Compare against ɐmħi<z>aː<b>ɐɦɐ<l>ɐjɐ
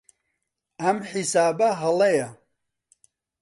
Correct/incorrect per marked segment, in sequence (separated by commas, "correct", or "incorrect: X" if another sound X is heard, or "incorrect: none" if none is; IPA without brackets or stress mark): incorrect: s, correct, correct